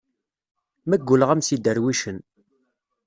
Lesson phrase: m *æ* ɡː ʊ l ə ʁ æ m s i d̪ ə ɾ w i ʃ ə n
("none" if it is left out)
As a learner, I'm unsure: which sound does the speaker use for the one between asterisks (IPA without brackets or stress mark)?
æ